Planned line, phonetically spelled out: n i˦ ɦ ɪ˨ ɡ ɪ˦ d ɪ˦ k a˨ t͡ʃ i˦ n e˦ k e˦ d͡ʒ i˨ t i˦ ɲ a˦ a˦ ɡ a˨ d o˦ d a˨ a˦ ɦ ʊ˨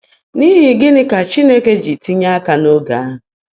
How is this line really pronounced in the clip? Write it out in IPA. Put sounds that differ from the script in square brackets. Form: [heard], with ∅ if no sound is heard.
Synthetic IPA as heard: n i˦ ɦ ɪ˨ ɡ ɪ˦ [n] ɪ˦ k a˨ t͡ʃ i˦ n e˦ k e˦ d͡ʒ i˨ t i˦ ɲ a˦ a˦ [k] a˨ [n] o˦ [ɡ] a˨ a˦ ɦ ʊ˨